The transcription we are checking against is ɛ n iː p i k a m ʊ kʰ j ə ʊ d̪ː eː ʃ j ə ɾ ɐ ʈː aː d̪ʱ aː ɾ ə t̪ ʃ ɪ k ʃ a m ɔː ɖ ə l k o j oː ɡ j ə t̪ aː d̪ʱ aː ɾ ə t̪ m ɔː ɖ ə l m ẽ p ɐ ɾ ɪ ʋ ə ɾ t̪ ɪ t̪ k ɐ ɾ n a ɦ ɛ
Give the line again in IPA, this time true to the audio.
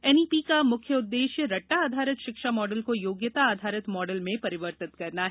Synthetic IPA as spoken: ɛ n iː p i k a m ʊ kʰ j ə ʊ d̪ː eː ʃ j ə ɾ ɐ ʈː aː d̪ʱ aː ɾ ə t̪ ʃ ɪ k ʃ a m ɔː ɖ ə l k o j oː ɡ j ə t̪ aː d̪ʱ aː ɾ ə t̪ m ɔː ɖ ə l m ẽ p ɐ ɾ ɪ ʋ ə ɾ t̪ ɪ t̪ k ɐ ɾ n a ɦ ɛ

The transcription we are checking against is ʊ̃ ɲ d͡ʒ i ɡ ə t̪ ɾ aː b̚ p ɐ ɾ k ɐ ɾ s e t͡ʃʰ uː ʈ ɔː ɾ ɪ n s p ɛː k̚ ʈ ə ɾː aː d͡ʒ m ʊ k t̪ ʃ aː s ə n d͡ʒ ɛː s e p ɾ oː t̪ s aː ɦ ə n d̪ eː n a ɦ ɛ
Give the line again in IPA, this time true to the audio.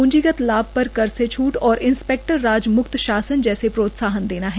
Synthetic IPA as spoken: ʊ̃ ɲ d͡ʒ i ɡ ə t̪ l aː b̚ p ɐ ɾ k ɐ ɾ s e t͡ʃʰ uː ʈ ɔː ɾ ɪ n s p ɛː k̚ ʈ ə ɾː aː d͡ʒ m ʊ k t̪ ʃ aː s ə n d͡ʒ ɛː s e p ɾ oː t̪ s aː ɦ ə n d̪ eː n a ɦ ɛ

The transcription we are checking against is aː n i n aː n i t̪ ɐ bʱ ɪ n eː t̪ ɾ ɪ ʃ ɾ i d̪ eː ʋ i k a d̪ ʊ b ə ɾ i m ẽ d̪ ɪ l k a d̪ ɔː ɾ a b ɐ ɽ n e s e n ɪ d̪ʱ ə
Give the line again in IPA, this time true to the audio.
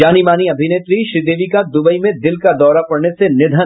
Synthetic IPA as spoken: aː n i m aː n i ɐ bʱ ɪ n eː t̪ ɾ i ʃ ɾ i d̪ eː ʋ i k a d̪ ʊ b ə i m ẽ d̪ ɪ l k a d̪ ɔː ɾ a p ɐ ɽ n e s e n ɪ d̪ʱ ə

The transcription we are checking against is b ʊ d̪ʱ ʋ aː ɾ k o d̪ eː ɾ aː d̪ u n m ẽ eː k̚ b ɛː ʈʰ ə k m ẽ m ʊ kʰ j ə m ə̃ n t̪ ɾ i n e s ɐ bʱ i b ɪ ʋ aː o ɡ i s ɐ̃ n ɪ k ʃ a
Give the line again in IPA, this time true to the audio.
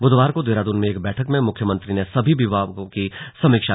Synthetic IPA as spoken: b ʊ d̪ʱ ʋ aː ɾ k o d̪ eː ɾ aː d̪ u n m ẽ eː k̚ b ɛː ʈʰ ə k m ẽ m ʊ kʰ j ə m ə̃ n t̪ ɾ i n e s ɐ bʱ i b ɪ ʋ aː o k i s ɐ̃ m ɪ k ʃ a

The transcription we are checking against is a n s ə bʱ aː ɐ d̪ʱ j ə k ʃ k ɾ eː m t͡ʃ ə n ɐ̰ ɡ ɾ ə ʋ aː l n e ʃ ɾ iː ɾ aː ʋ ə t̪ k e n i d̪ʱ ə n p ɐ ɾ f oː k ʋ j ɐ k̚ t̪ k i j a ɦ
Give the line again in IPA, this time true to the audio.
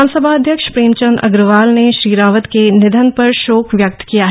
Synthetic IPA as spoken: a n s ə bʱ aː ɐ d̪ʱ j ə k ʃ p ɾ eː m t͡ʃ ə n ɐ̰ ɡ ɾ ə ʋ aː l n e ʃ ɾ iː ɾ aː ʋ ə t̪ k e n ɪ d̪ʱ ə n p ɐ ɾ ʃ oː k ʋ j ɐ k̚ t̪ k i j a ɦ

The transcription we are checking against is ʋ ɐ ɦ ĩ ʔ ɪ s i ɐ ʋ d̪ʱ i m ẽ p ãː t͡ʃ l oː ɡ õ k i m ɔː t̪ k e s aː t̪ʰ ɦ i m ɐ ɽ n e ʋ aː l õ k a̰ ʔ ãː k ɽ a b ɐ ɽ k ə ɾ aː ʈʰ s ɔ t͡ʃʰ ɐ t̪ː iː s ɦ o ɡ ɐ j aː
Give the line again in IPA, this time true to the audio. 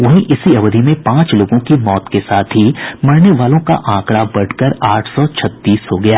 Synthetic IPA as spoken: ʋ ɐ ɦ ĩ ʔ ɪ s i ɐ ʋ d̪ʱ i m ẽ p ãː t͡ʃ l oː ɡ õ k i m ɔː t̪ k e s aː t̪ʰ ɦ i m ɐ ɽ n e ʋ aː l õ k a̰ ʔ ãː k ɽ a b ɐ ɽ k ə ɾ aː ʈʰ s ɔ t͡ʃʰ ɐ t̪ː iː s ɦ o ɡ ɐ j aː

